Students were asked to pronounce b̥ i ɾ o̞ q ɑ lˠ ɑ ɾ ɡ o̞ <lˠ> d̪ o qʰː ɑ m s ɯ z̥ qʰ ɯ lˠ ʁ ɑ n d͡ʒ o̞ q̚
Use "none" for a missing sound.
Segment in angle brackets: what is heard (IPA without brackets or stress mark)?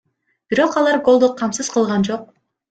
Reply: lˠ